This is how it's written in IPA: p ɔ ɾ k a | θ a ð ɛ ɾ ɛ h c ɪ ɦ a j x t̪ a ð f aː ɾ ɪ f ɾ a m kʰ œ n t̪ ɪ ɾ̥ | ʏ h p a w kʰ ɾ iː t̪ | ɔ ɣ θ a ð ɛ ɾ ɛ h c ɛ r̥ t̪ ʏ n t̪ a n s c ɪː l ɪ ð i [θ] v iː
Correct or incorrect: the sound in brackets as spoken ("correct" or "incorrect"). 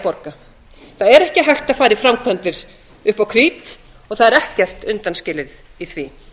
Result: correct